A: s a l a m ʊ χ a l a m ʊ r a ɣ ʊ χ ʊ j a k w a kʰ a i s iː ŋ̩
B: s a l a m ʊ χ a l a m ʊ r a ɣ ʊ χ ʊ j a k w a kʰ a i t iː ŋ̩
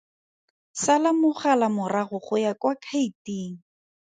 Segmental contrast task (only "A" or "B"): B